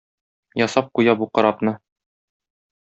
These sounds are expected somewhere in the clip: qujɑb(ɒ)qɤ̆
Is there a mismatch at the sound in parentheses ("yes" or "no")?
yes